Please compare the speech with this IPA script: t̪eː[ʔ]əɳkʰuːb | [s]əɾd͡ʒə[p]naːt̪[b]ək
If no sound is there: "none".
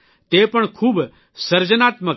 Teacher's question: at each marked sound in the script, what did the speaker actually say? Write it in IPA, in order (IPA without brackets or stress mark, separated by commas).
p, s, none, m